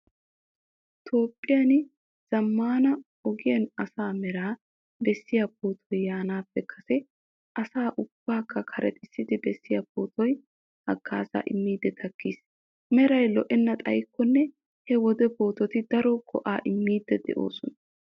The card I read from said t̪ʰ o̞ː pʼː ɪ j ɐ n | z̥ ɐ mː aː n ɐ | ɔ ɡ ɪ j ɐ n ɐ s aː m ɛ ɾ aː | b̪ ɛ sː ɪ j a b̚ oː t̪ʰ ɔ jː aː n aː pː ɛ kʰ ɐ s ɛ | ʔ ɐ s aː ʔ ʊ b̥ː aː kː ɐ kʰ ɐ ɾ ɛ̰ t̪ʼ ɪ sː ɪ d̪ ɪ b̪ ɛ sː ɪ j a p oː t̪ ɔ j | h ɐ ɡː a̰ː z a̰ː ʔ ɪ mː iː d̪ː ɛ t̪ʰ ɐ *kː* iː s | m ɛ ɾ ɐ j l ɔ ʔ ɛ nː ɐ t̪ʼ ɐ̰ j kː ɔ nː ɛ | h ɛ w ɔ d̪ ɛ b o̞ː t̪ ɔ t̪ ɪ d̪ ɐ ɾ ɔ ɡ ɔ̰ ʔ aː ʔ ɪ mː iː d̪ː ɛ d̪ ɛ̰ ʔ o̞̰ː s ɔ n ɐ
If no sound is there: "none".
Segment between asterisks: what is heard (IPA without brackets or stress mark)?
kː